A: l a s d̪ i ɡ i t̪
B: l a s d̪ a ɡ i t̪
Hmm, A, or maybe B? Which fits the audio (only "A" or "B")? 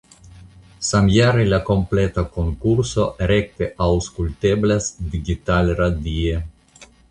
A